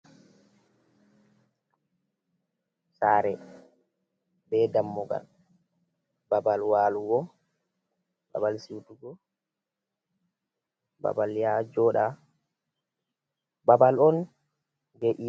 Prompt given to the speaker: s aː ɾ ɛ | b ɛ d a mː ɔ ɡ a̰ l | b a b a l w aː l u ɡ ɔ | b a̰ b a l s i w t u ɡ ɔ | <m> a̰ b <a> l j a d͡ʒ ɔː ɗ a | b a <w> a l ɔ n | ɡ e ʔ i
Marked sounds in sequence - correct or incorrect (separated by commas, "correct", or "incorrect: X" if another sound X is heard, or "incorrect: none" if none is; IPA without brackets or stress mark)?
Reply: incorrect: b, correct, incorrect: b